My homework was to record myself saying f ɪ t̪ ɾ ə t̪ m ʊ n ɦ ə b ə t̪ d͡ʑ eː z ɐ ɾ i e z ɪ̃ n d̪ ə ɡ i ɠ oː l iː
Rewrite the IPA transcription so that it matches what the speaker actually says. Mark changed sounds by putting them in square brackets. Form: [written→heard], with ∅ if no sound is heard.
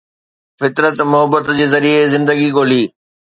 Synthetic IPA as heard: f ɪ t̪ ɾ ə t̪ m ʊ [n→∅] ɦ ə b ə t̪ d͡ʑ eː z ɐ ɾ i e z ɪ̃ n d̪ ə ɡ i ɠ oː l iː